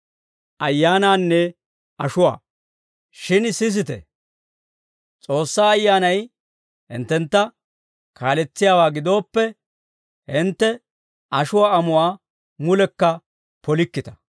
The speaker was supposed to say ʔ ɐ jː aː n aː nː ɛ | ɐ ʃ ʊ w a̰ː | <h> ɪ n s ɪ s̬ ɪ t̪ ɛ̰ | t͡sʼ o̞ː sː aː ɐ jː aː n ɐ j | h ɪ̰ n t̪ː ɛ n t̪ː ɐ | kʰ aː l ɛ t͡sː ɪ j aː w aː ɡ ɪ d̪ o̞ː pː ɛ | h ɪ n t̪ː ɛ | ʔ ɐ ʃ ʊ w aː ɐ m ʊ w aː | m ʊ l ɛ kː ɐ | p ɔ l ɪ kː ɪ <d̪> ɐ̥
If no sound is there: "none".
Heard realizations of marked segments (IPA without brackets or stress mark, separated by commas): ʃ, t̪